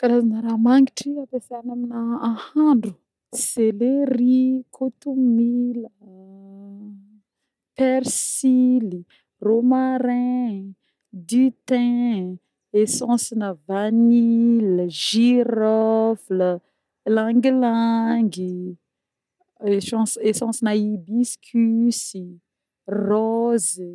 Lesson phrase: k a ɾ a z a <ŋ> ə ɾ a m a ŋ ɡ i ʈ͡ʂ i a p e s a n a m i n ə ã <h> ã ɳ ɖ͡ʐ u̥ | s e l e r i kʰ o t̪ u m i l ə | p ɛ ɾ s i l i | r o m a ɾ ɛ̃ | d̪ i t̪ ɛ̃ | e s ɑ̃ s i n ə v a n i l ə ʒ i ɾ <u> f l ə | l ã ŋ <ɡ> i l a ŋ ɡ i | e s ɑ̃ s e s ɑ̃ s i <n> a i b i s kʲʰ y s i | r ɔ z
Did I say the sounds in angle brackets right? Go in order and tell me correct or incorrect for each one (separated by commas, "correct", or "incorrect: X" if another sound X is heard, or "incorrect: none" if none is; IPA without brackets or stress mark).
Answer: incorrect: n, correct, incorrect: ɔ, correct, correct